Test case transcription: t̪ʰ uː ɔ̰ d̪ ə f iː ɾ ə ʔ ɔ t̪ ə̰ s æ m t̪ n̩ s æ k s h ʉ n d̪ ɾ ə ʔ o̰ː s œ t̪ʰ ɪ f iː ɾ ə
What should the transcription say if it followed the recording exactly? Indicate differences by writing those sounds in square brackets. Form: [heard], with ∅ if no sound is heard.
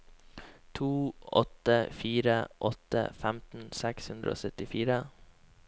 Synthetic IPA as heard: t̪ʰ uː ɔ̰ [t̪] ə f iː ɾ ə ʔ ɔ t̪ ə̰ [f] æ m t̪ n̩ s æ k s h ʉ n d̪ ɾ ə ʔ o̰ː s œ [t̪] ɪ f iː ɾ ə